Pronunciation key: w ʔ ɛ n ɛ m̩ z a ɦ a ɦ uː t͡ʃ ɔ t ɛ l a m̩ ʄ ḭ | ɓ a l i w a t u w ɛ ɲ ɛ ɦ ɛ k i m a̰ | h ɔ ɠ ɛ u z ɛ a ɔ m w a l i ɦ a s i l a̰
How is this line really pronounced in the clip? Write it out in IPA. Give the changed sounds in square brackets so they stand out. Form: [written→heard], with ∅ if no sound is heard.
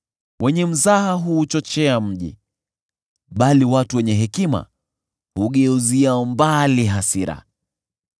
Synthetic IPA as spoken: w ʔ ɛ [n→ɲ] ɛ m̩ z a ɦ a ɦ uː t͡ʃ ɔ [t→t͡ʃ] ɛ [l→∅] a m̩ ʄ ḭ | ɓ a l i w a t u w ɛ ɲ ɛ ɦ ɛ k i m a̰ | h [ɔ→u] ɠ ɛ u z [ɛ→i] a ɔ m [w→b] a l i ɦ a s i [l→ɾ] a̰